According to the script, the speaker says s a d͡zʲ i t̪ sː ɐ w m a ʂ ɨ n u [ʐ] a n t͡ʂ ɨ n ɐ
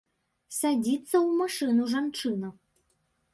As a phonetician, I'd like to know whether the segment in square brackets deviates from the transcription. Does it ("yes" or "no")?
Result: no